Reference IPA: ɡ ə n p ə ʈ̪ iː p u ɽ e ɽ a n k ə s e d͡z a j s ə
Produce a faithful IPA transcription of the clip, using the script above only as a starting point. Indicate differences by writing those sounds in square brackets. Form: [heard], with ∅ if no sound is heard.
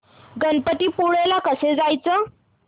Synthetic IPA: ɡ ə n p ə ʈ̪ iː p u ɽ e [l] a [∅] k ə s e d͡z a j [t͡s] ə